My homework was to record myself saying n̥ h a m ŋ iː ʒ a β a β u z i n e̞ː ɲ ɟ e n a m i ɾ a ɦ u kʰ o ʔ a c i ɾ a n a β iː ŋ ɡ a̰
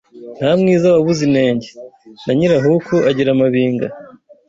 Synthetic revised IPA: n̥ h a m ŋ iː z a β a β u z i n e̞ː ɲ ɟ e n a ɲ i ɾ a ɦ u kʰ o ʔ a ɟ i ɾ a m a β iː ŋ ɡ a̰

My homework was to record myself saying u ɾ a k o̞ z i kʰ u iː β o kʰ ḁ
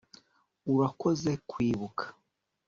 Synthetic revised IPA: u ɾ a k o̞ z e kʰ w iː β u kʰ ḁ

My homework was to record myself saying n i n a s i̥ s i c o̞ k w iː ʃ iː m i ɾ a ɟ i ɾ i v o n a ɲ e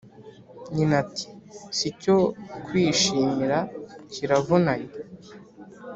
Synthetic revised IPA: ɲ i n a t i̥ s i c o̞ k w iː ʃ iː m i ɾ a c i ɾ a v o n a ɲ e

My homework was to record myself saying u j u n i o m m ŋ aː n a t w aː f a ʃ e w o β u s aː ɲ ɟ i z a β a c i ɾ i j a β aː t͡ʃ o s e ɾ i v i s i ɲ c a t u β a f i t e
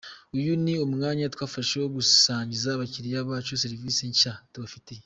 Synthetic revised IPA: u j u n i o m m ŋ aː ɲ a t w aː f a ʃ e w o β u s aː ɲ ɟ i z a β a c i ɾ i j a β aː t͡ʃ o s e ɾ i v i s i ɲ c a t u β a f i t e

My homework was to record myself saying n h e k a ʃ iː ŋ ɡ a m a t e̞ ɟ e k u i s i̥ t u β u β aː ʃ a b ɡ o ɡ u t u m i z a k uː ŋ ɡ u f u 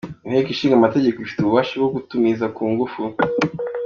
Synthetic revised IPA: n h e k i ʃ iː ŋ ɡ a m a t e̞ ɟ e k o i f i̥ t u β u β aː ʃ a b ɡ o ɡ u t u m i z a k uː ŋ ɡ u f u

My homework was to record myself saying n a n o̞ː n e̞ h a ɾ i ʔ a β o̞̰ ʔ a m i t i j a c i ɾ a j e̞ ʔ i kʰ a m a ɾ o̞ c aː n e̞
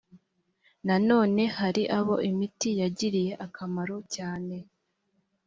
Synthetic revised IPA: n a n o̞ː n e̞ h a ɾ i ʔ a β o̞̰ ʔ i m i t i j a ɟ i ɾ i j e̞ ʔ a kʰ a m a ɾ o̞ c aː n e̞

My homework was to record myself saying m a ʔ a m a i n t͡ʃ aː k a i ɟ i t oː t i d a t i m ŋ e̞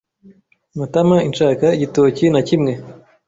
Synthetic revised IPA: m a t a m a i n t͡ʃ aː k a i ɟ i t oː c i n a c i m ŋ e̞

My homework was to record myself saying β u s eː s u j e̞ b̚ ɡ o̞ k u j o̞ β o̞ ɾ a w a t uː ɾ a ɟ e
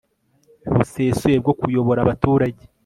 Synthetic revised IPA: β u s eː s u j e̞ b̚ ɡ o̞ k u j o̞ β o̞ ɾ a β a t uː ɾ a ɟ e

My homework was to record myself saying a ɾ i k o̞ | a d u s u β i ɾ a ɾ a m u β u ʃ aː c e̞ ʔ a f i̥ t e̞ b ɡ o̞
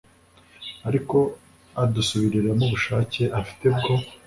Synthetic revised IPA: a ɾ i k o̞ | a d u s u β i ɾ i ɾ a m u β u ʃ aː c e̞ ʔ a f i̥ t e̞ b ɡ o̞

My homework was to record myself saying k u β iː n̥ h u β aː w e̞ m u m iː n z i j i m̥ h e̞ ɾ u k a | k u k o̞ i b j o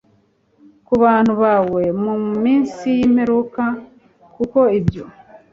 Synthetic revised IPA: k u β aː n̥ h u β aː w e̞ m u m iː n s i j i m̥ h e̞ ɾ u k a | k u k o̞ i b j o

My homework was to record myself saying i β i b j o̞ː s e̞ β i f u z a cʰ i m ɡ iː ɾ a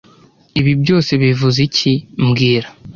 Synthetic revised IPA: i β i b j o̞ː s e̞ β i v u z i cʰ i m ɡ iː ɾ a

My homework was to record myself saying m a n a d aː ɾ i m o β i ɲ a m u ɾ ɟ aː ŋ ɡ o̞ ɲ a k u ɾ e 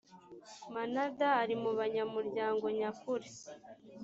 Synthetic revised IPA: m a n a d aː ɾ i m u β a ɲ a m u ɾ ɟ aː ŋ ɡ o̞ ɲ a k u ɾ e

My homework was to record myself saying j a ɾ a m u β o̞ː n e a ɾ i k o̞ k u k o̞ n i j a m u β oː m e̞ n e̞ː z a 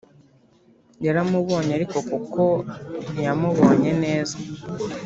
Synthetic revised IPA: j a ɾ a m u β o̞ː ɲ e a ɾ i k o̞ k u k o̞ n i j a m u β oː ɲ e̞ n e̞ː z a

